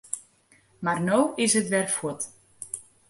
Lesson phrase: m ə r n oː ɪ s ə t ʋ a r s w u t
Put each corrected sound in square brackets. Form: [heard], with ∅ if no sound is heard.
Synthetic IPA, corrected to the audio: m [a] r n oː ɪ s ə t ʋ [ɛ] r [f] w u t

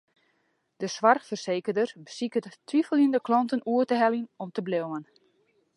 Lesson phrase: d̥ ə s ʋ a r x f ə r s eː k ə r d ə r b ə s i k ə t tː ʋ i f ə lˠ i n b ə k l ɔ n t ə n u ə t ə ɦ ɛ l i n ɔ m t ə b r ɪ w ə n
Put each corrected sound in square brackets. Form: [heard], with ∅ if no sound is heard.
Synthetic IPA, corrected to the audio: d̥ ə s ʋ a r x f ə r s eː k ə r d ə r b ə s i k ə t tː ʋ i f ə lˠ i n [d] ə k l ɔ n t ə n u ə t ə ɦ ɛ l i n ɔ m t ə b [l] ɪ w ə n

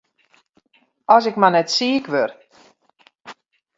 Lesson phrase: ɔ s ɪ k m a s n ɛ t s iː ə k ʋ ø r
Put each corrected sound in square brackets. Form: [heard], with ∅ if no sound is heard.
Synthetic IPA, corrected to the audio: ɔ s ɪ k m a [∅] n ɛ t s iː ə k ʋ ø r

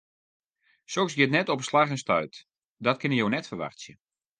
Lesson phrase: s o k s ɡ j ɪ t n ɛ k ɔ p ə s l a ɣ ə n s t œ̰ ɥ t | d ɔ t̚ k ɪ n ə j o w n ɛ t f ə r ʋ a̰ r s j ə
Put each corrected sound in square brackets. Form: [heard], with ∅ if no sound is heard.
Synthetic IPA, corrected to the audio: s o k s ɡ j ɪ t n ɛ [t] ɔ p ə s l a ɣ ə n s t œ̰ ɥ t | d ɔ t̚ k ɪ n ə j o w n ɛ t f ə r ʋ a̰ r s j ə

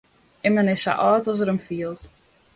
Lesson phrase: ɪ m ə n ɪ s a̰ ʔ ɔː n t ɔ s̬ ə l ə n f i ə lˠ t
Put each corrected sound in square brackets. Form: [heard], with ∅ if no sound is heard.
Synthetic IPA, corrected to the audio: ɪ m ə n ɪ s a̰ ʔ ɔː [∅] t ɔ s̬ ə [ɾ] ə [m] f i ə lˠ t

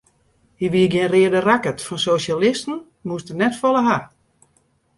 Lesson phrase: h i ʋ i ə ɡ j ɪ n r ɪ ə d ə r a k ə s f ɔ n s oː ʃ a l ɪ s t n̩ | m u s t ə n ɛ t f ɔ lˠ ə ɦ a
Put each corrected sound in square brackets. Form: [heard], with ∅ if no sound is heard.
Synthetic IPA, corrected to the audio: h i ʋ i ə ɡ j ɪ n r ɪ ə d ə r a k ə [t] f ɔ n s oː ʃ a l ɪ s t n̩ | m u s t ə n ɛ t f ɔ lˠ ə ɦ a

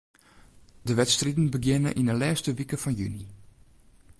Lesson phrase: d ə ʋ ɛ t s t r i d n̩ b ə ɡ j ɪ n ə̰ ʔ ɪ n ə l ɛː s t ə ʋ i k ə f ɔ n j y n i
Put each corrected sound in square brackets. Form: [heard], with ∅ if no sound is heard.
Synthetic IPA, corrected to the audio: d ə ʋ ɛ t s t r i d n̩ b ə ɡ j ɪ n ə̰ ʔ [i] n ə l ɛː s t ə ʋ i k ə f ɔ n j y n i

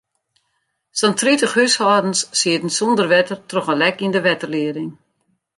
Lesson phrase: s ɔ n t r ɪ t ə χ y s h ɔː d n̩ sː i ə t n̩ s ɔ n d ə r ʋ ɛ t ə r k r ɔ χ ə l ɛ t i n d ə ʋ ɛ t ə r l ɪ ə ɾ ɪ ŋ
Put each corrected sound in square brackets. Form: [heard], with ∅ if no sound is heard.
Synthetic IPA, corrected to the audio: s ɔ n t r [i] t ə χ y s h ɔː d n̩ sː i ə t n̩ s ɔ n d ə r ʋ ɛ t ə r [t] r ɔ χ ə l ɛ [k] i n d ə ʋ ɛ t ə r l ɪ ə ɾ ɪ ŋ

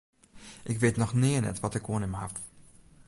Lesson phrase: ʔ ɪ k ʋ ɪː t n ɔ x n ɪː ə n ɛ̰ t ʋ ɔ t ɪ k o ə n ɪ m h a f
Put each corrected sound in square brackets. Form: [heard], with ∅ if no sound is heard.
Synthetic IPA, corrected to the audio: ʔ ɪ k ʋ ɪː t n ɔ x n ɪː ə n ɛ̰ t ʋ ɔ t ɪ k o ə n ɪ m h a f

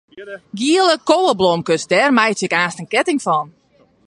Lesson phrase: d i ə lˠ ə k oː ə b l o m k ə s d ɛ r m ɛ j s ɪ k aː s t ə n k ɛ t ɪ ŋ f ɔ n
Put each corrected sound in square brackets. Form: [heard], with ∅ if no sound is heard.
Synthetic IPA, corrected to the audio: [ɡ] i ə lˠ ə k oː ə b l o m k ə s d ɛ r m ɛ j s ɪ k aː s t ə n k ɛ t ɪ ŋ f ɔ n

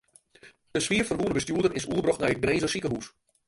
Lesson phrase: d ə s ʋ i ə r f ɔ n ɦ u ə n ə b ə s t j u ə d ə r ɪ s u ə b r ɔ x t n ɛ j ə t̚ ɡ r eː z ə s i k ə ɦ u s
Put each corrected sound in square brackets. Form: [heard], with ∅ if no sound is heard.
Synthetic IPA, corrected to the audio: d ə s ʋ i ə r f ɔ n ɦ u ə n ə b ə s t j u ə d ə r ɪ s u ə b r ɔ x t n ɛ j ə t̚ ɡ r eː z ə s i k ə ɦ u s

